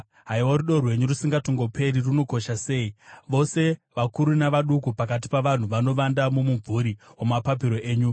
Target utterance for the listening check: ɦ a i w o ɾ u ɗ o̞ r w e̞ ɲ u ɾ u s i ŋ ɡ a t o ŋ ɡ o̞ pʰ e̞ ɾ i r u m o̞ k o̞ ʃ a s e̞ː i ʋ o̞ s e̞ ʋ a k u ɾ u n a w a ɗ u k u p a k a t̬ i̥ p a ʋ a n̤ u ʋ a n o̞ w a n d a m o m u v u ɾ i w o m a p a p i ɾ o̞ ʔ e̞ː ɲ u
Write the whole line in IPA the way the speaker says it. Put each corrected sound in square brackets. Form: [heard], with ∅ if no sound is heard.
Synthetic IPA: ɦ a i w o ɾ u ɗ o̞ r w e̞ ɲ u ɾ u s i ŋ ɡ a t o ŋ ɡ o̞ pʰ e̞ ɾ i r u [n] o̞ k o̞ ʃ a s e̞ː i ʋ o̞ s e̞ ʋ a k u ɾ u n a [ʋ] a ɗ u k u p a k a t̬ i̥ p a ʋ a n̤ u ʋ a n o̞ [ʋ] a n d a m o m u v u ɾ i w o m a p a p i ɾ o̞ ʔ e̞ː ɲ u

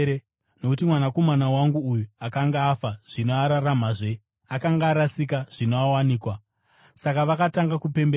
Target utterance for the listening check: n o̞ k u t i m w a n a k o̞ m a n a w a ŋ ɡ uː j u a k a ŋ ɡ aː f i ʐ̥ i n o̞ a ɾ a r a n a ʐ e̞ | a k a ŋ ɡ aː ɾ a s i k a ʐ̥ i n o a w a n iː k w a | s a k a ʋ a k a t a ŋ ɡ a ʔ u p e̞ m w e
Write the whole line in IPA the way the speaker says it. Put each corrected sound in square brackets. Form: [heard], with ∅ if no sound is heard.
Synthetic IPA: n o̞ k u t i m w a n a k o̞ m a n a w a ŋ ɡ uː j u a k a ŋ ɡ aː f [a] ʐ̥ i n o̞ a ɾ a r a [m] a ʐ e̞ | a k a ŋ ɡ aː ɾ a s i k a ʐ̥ i n o a w a n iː k w a | s a k a ʋ a k a t a ŋ ɡ a [k] u p e̞ m [b] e

